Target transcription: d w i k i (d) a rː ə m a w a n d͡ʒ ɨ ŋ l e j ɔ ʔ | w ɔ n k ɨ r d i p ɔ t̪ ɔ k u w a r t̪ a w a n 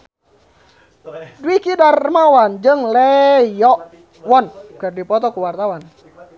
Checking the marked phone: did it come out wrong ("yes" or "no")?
no